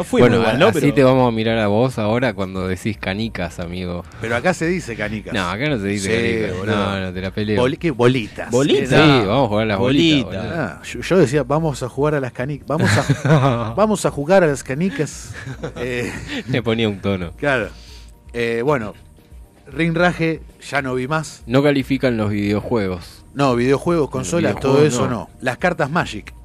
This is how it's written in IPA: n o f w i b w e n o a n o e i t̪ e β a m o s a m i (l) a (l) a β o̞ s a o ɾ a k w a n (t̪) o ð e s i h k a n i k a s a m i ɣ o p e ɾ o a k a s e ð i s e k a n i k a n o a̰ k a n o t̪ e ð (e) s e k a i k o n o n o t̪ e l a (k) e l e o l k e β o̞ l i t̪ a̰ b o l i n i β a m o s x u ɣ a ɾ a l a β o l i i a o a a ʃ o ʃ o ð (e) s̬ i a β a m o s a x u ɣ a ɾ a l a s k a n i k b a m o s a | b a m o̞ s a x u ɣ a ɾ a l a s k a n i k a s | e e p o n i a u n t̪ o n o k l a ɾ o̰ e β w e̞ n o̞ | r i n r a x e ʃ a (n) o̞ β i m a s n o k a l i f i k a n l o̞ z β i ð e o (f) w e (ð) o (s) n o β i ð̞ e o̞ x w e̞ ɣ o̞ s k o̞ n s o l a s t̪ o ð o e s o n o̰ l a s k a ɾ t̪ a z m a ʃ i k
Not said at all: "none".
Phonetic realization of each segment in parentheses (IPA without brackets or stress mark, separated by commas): ɾ, ɾ, d̪, i, p, e, n, x, ɣ, s